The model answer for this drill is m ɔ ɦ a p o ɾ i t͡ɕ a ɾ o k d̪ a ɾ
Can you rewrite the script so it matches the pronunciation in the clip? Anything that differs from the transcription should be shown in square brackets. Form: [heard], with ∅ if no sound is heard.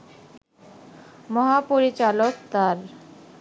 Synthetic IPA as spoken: m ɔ ɦ a p o ɾ i t͡ɕ a [l] o k [t̪] a ɾ